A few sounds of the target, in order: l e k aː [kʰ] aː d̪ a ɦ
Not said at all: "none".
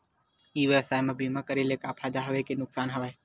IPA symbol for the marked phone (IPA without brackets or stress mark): pʰ